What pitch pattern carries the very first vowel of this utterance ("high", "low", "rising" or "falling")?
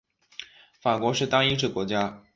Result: low